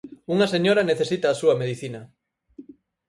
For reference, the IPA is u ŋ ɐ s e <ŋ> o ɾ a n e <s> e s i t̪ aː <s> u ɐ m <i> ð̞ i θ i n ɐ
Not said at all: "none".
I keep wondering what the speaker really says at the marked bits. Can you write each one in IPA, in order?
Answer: ɲ, θ, s, e

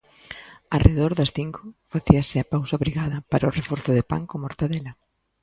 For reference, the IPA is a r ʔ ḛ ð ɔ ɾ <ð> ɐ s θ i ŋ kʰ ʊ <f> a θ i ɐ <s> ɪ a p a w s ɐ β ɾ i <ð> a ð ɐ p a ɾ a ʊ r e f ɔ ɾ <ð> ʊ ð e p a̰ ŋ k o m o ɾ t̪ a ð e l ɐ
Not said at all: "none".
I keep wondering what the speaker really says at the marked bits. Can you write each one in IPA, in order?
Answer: ð, f, s, ɣ, θ

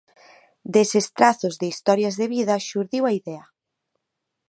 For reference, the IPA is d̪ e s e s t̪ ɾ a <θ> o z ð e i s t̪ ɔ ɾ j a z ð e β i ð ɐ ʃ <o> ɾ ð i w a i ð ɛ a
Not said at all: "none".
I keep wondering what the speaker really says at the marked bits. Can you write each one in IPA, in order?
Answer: θ, u

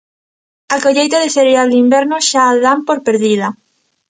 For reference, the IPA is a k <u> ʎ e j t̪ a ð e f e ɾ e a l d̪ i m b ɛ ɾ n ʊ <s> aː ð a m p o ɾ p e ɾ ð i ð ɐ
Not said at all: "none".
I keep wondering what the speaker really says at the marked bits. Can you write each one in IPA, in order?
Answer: o, ʃ

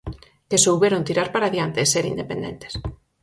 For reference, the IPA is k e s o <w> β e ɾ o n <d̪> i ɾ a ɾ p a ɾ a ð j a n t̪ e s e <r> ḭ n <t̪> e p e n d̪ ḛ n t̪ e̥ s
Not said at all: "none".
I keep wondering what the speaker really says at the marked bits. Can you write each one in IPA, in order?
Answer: w, t̪, ɾ, d̪

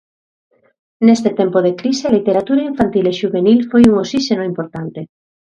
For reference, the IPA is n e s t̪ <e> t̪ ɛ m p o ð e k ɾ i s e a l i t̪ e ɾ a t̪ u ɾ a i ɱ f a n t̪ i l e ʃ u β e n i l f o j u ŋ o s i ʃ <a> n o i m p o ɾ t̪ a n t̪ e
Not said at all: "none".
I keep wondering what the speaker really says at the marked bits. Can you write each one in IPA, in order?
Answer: e, e

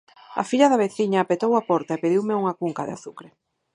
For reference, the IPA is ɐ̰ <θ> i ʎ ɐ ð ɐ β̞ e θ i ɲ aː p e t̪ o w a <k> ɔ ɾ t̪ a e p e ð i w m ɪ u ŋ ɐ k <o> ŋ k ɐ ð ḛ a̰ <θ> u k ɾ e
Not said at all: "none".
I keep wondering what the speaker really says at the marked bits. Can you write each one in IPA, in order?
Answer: f, p, u, θ

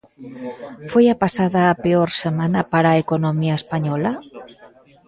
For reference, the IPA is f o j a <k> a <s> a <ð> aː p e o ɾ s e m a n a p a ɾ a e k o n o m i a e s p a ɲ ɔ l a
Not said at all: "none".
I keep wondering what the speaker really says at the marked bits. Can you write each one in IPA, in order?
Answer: p, s, ð

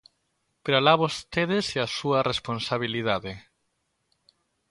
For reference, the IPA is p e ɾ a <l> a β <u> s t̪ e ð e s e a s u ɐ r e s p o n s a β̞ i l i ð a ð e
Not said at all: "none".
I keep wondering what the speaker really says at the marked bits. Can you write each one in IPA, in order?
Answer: l, o

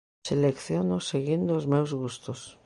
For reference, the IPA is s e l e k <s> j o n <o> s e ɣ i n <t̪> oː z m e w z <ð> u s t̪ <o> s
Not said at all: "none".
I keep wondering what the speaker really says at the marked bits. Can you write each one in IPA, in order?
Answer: θ, o, d̪, ɣ, o

